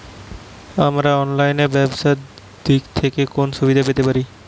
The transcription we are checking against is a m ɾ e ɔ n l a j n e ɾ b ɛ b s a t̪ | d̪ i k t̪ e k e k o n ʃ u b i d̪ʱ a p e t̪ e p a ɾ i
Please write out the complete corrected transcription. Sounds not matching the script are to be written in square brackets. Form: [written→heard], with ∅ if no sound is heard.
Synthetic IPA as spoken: a m ɾ [e→a] ɔ n l a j n e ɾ b ɛ b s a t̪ | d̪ i k [t̪→t̪ʰ] e k e k o n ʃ u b i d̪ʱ a p e t̪ e p a ɾ i